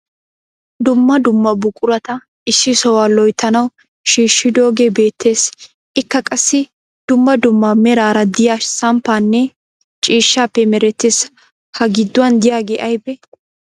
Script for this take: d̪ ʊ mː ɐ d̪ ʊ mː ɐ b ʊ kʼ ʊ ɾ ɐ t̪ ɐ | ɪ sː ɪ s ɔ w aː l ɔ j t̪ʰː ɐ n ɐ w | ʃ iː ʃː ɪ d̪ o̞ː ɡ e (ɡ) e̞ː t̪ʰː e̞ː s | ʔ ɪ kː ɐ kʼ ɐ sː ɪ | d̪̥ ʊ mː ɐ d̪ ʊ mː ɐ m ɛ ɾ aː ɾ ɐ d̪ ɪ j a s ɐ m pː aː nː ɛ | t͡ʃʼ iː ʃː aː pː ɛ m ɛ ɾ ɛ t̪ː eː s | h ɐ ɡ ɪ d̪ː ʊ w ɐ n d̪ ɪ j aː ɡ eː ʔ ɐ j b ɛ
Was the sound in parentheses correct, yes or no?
no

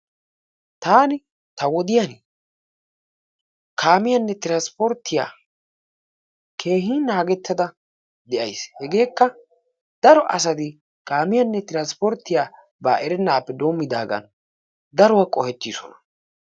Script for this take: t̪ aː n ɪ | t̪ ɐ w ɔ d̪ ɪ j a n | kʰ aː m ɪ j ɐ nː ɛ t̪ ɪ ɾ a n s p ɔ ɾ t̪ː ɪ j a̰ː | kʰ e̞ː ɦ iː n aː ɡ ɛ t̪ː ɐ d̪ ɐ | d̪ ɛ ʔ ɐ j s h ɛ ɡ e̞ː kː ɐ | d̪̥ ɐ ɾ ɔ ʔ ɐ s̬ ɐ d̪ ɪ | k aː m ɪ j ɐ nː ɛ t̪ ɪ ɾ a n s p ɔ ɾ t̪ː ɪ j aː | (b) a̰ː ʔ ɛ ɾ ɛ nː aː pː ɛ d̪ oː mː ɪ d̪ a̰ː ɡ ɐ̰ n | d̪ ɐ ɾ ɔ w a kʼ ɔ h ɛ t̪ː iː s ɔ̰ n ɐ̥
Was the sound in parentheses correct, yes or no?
yes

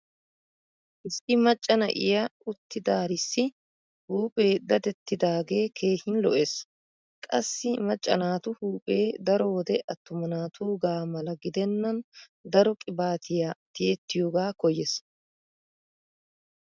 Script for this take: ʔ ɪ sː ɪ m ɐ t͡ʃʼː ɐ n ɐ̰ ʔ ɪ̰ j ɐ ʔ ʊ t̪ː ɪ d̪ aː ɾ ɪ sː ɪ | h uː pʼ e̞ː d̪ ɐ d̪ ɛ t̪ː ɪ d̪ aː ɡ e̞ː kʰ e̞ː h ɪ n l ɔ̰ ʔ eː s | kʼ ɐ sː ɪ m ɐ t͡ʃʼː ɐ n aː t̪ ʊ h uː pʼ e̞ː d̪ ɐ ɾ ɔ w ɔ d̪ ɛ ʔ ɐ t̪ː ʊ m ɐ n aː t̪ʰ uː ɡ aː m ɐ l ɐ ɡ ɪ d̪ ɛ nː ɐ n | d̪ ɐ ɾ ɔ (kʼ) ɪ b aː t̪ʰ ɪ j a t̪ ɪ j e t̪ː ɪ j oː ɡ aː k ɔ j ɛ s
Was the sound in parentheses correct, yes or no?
yes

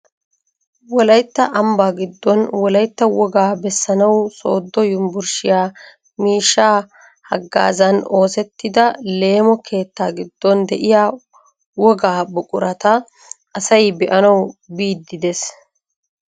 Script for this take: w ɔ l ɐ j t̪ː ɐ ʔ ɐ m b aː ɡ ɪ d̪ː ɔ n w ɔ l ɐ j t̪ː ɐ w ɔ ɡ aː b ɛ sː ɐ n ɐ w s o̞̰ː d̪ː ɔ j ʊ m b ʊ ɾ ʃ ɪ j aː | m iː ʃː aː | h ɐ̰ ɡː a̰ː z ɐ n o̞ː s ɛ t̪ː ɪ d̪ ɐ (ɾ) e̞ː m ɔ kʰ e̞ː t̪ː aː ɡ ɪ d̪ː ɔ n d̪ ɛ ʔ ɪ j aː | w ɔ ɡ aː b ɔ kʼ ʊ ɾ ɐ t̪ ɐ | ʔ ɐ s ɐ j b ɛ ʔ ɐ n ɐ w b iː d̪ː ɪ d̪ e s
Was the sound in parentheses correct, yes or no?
no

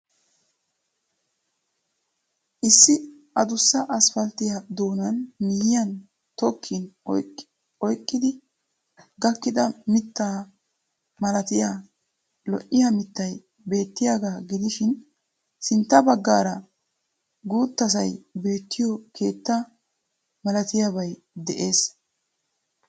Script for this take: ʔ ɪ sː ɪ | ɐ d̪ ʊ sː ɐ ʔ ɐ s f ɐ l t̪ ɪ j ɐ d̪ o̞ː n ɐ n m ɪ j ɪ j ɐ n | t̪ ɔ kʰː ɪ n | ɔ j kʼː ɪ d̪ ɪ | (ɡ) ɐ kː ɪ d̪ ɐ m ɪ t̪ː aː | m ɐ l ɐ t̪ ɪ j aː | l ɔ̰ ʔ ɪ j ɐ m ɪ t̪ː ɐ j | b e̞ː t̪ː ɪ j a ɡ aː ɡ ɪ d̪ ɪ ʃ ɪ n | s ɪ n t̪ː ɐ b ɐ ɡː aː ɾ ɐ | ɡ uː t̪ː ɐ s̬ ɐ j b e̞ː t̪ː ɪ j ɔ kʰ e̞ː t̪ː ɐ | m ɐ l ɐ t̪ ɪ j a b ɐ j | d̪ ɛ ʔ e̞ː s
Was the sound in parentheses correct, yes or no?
yes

